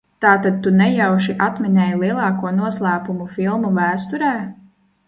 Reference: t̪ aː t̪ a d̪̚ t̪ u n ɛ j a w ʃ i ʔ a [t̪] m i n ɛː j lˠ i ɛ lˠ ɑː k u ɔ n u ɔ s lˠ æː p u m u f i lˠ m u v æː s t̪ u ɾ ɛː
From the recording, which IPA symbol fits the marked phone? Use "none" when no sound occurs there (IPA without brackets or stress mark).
t̪